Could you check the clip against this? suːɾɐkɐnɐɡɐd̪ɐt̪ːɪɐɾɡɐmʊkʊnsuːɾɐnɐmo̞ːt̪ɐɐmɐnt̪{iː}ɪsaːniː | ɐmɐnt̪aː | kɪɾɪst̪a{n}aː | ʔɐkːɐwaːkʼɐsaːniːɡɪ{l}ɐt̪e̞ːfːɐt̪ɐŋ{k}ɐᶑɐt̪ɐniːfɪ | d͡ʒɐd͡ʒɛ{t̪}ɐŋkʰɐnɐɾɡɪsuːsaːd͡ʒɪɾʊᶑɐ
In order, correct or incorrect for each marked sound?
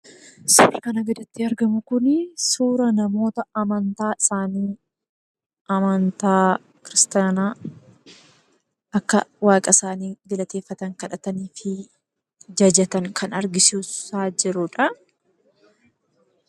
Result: incorrect, correct, correct, correct, correct

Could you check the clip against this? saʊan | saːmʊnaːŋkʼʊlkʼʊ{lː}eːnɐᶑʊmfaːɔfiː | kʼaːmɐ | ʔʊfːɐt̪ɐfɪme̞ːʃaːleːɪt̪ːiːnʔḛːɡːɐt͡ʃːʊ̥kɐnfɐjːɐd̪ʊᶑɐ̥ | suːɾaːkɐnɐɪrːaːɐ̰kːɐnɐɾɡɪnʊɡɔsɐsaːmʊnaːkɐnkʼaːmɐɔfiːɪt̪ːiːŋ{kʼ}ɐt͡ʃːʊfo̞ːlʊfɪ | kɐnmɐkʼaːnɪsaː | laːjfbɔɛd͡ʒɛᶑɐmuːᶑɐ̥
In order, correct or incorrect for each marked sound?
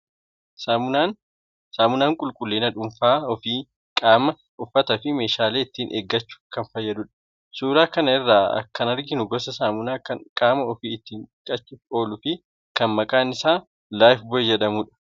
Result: correct, correct

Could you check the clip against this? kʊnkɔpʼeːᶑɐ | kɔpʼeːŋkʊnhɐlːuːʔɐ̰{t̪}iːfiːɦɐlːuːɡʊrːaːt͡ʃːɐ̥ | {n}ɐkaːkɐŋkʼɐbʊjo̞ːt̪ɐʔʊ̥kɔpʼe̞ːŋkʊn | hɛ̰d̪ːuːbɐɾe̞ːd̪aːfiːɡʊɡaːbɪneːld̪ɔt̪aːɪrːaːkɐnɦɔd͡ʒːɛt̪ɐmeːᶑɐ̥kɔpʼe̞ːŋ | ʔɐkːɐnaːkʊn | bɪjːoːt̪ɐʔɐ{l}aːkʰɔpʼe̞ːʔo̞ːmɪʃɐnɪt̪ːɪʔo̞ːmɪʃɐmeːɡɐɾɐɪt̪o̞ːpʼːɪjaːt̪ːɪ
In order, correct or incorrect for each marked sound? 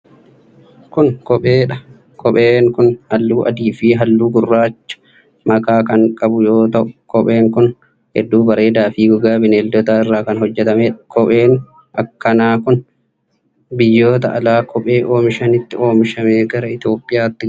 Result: incorrect, incorrect, correct

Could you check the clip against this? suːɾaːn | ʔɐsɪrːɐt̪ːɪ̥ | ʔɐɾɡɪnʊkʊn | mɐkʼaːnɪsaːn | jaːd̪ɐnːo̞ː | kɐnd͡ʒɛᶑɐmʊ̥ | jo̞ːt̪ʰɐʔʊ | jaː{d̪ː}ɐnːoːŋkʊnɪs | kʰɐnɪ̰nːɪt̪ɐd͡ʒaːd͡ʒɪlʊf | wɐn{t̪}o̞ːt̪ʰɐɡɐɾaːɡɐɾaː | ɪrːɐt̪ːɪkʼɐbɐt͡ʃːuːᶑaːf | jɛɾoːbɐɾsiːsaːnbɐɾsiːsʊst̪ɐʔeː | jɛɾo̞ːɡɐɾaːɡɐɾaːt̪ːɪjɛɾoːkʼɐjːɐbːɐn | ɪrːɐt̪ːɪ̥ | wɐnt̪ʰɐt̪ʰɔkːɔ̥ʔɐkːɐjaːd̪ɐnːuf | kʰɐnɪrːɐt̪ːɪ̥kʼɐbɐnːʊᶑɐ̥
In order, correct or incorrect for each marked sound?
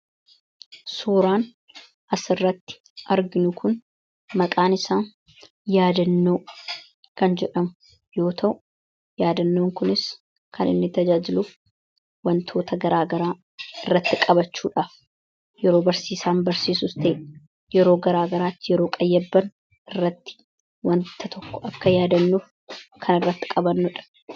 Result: incorrect, incorrect

